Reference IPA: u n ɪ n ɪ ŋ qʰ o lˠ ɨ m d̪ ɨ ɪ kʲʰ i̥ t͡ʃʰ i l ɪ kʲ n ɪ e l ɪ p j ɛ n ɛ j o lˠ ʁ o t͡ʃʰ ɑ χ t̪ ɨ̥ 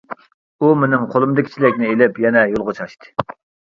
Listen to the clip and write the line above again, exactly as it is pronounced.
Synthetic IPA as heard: u m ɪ n ɪ ŋ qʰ o lˠ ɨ m d̪ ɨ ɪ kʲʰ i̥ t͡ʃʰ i l ɪ kʲ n ɪ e l ɪ p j ɛ n ɛ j o lˠ ʁ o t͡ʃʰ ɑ ʃ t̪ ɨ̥